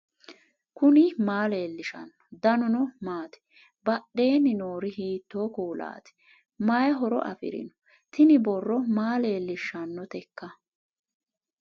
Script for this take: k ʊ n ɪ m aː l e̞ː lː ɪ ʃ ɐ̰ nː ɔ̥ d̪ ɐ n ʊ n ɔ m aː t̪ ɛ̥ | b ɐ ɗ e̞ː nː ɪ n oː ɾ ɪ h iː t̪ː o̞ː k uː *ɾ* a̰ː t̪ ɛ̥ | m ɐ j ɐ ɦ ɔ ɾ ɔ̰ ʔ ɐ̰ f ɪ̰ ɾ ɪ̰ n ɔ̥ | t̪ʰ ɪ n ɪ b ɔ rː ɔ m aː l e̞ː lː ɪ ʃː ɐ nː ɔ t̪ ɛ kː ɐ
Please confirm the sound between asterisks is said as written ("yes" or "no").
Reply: no